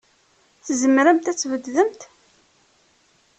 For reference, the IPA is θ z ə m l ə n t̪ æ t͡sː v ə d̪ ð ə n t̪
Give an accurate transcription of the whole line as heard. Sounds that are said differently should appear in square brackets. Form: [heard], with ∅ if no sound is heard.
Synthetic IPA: θ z ə m [ɾ] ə [m] t̪ æ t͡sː v ə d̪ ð ə [m] t̪

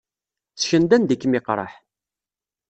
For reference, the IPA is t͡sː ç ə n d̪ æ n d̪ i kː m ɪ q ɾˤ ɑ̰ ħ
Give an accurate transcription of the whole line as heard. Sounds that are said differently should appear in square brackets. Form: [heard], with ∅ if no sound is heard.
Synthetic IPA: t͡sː ç ə n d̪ æ n d̪ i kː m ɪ q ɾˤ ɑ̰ ħ

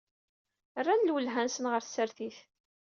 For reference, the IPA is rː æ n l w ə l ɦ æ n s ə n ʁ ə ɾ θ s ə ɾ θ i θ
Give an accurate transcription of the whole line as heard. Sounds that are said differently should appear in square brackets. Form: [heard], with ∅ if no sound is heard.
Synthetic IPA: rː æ n l w ə l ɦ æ n s ə n ʁ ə ɾ θ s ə ɾ θ i θ

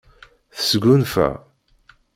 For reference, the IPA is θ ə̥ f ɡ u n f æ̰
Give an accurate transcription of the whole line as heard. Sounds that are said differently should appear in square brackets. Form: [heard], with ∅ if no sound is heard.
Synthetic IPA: θ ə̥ [s] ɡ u n f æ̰

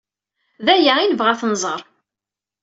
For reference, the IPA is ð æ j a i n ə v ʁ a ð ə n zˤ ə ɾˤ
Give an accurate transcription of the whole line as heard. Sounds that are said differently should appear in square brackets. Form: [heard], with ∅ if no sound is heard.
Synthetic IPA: ð æ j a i n ə v ʁ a [θ] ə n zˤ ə ɾˤ

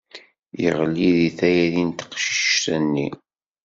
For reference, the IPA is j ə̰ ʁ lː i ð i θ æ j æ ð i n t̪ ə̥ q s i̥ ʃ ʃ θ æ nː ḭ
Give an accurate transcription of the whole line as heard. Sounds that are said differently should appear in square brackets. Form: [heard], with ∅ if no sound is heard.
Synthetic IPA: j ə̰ ʁ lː i ð i θ æ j æ ð i n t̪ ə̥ q [ʃ] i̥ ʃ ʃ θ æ nː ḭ

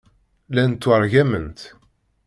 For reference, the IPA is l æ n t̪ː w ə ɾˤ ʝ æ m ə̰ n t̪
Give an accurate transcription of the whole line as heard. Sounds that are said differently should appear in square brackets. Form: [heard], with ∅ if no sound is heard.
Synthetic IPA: l æ n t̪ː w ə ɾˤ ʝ æ m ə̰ n t̪

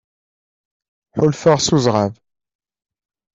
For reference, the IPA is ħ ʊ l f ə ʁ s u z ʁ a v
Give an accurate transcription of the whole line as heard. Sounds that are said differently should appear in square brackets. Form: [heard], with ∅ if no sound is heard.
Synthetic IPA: ħ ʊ l f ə ʁ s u z ʁ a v

